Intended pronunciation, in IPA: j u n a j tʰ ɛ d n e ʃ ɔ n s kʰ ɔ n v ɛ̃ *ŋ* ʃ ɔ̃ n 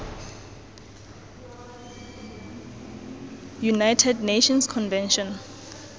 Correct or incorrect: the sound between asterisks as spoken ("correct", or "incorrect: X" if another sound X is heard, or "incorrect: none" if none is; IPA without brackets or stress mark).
incorrect: n